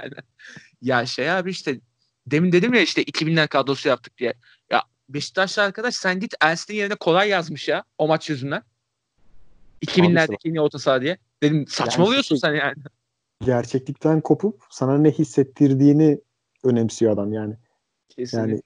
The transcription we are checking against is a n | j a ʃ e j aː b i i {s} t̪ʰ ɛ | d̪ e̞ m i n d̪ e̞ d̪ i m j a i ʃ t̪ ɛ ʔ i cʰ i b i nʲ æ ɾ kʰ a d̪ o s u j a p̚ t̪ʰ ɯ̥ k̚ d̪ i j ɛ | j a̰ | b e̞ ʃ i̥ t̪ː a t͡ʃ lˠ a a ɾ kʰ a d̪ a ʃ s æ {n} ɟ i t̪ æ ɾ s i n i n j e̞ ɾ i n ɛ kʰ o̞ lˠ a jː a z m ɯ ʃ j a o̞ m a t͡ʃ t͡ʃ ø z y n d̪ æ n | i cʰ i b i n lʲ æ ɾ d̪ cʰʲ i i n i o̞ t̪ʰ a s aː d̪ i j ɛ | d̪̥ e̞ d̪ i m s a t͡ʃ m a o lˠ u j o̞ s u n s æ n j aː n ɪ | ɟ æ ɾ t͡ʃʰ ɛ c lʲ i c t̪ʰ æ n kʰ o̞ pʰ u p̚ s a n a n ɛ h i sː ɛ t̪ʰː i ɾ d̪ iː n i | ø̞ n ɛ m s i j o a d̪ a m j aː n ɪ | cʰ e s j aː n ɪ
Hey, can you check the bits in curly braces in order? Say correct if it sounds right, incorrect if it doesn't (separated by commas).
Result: incorrect, correct